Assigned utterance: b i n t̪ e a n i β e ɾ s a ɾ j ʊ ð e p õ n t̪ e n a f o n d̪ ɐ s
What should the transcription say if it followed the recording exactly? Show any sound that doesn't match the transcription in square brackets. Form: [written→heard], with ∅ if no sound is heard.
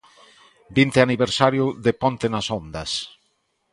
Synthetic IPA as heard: b i n t̪ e a n i β e ɾ s a ɾ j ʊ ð e p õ n t̪ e n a [f→s] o n d̪ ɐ s